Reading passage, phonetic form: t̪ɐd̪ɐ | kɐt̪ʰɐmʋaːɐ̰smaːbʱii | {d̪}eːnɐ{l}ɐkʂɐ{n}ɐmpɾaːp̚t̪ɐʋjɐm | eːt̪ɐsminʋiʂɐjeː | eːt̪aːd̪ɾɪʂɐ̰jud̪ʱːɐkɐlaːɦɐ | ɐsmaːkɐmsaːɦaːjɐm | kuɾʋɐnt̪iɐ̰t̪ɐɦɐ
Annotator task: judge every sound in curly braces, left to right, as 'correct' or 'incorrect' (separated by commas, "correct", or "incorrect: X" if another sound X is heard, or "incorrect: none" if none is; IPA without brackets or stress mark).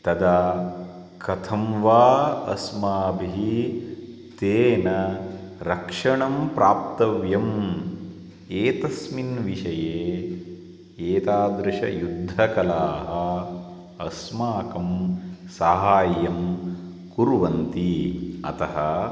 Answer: incorrect: t̪, incorrect: ɾ, incorrect: ɳ